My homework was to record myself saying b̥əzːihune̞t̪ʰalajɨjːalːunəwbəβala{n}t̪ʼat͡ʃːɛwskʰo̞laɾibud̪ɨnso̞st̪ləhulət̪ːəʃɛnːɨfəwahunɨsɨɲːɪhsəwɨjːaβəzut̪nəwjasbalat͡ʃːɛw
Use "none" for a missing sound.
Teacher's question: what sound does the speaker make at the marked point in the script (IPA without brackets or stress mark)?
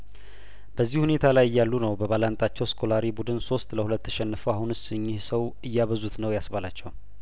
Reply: n